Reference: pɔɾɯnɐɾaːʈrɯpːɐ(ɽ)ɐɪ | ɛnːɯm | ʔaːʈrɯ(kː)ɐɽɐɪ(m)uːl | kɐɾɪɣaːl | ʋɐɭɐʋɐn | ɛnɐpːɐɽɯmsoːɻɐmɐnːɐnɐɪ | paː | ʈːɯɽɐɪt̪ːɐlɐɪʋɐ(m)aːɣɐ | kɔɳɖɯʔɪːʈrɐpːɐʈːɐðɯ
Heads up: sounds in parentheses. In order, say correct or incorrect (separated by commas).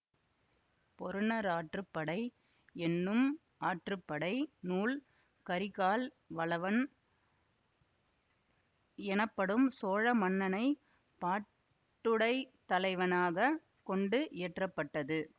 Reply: correct, incorrect, incorrect, incorrect